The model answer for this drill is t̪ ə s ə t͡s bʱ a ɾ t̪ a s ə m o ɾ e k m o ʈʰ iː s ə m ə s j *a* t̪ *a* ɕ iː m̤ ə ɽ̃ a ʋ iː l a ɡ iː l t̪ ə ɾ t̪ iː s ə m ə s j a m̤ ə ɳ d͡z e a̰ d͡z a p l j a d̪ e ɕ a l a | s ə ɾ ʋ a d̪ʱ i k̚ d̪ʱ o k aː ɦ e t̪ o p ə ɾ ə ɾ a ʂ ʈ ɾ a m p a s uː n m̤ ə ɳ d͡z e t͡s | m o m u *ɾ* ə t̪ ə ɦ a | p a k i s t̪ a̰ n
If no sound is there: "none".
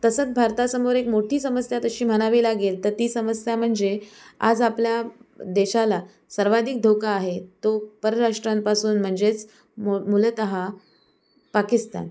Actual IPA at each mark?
a, ə, l

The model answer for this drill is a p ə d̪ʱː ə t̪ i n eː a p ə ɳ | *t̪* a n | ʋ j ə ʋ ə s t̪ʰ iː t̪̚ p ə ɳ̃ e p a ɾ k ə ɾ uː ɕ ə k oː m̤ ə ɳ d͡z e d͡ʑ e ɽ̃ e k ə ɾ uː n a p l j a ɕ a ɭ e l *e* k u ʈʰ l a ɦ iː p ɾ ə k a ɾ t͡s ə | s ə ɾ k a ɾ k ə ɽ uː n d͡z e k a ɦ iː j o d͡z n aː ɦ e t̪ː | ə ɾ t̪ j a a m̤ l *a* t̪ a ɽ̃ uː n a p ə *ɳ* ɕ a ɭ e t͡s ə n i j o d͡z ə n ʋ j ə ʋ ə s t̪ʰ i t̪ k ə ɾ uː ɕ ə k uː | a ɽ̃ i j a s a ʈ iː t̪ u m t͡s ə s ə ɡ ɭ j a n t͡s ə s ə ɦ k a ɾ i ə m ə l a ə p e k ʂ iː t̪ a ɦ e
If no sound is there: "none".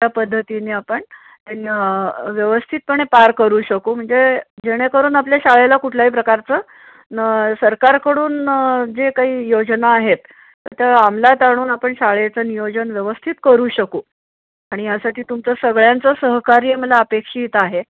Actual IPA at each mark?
t̪, a, a, ɳ

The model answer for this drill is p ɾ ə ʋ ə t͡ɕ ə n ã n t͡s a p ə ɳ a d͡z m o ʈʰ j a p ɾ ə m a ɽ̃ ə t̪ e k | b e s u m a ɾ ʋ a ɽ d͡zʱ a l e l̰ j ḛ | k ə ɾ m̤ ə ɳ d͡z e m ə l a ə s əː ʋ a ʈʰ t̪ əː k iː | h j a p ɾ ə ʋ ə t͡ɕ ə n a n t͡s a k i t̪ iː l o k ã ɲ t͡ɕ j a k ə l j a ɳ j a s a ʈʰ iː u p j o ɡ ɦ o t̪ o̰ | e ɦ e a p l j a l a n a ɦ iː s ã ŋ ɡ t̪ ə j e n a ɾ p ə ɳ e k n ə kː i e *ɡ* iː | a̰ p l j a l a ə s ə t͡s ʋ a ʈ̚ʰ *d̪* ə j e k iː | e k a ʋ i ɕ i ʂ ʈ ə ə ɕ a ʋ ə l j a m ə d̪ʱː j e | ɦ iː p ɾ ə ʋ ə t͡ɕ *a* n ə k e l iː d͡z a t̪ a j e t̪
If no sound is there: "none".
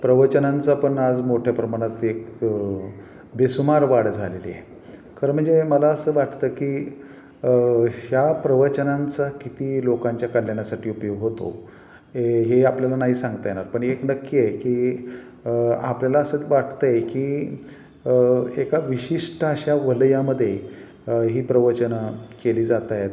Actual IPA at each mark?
k, t̪, ə

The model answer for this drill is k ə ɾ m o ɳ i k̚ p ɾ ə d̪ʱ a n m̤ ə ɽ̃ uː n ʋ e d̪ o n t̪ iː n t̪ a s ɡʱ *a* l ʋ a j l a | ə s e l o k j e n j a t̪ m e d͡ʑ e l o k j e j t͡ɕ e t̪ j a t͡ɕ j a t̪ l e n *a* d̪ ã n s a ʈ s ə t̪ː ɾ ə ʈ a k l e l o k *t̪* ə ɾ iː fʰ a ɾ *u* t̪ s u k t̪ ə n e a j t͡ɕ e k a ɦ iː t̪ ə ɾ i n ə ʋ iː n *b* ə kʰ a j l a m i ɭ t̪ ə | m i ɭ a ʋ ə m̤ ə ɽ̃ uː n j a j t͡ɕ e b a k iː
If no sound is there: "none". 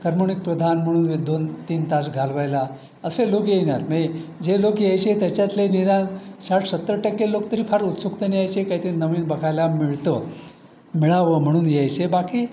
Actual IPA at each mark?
a, i, t̪, u, b

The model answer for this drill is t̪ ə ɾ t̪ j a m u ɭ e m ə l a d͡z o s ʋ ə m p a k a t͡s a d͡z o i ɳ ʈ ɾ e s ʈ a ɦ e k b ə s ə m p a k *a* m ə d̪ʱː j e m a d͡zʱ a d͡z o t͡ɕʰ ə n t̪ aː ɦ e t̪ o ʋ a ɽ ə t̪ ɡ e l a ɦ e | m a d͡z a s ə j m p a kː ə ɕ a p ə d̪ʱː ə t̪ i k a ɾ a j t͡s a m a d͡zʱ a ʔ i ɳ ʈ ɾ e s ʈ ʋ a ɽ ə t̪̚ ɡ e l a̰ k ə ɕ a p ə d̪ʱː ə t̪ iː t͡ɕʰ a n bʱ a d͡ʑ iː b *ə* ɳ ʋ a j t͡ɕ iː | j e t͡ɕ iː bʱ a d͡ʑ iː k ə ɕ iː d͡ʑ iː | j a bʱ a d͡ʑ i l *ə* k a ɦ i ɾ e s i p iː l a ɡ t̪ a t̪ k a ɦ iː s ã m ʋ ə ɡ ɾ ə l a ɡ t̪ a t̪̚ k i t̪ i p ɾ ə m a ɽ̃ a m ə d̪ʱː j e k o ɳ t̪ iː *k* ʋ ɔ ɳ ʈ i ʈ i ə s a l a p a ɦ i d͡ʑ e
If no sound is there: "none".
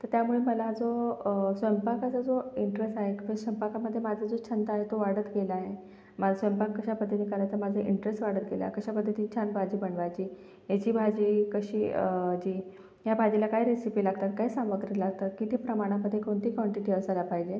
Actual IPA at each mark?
a, ə, a, k

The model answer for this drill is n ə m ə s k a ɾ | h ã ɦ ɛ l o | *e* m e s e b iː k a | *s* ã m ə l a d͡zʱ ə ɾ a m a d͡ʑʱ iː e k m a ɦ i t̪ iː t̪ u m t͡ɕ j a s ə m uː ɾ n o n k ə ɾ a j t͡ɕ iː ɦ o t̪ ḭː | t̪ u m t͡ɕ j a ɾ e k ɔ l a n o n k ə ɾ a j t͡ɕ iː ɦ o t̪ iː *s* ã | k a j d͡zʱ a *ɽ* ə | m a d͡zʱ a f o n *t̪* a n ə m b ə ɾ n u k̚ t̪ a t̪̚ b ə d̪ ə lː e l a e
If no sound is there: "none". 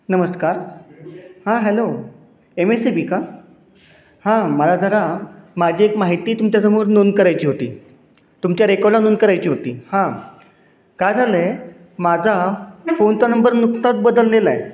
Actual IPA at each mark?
e, h, h, l, t̪

